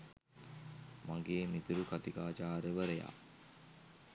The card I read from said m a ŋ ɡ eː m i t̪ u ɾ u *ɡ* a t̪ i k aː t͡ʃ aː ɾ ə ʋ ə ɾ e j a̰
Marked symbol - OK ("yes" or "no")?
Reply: no